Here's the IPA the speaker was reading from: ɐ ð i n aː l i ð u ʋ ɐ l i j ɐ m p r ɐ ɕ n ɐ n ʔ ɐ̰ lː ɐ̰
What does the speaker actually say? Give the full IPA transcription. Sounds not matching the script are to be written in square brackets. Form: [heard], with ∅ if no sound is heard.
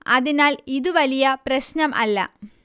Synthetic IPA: ɐ ð i n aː l i ð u ʋ ɐ l i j ɐ [∅] p r ɐ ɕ n ɐ [m] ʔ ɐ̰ lː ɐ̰